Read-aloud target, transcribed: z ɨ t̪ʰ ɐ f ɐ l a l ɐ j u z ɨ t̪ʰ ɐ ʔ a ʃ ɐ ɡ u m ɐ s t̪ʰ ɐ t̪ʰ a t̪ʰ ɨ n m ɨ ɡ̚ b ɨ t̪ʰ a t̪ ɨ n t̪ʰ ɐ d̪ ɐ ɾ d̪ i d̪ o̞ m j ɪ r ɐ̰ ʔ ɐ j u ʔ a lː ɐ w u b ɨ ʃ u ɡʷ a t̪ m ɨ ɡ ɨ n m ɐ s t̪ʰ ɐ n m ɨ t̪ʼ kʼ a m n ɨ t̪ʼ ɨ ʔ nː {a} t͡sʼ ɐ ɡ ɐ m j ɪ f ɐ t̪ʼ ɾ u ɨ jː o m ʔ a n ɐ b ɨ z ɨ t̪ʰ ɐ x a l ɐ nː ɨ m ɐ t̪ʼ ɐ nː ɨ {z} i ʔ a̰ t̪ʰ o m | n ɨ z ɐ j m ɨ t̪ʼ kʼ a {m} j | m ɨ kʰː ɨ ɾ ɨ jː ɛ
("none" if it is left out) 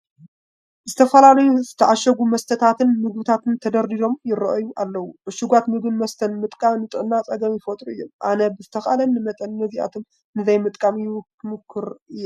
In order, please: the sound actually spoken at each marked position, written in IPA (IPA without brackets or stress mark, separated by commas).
a, z, m